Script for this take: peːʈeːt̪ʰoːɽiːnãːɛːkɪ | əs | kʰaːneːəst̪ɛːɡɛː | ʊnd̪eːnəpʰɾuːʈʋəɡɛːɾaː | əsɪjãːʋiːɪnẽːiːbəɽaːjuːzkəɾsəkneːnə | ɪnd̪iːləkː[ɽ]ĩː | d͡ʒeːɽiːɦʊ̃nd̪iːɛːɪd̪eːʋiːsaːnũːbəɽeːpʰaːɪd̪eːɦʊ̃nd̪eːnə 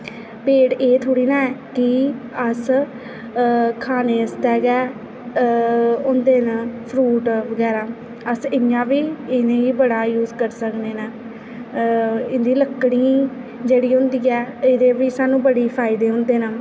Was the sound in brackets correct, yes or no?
yes